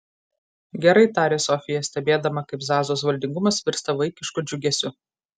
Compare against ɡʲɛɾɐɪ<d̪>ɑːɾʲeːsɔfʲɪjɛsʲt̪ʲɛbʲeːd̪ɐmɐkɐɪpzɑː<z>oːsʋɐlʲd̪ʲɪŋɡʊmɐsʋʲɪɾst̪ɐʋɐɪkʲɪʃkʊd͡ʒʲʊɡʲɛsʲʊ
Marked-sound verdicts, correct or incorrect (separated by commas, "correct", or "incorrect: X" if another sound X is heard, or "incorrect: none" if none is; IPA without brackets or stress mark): incorrect: t̪, correct